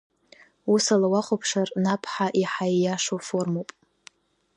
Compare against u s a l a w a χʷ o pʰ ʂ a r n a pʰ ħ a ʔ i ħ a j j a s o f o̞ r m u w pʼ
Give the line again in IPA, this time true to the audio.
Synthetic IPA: u s a l a w a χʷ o pʰ ʂ a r n a pʰ ħ a ʔ i ħ a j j a ʂ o f o̞ r m o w pʼ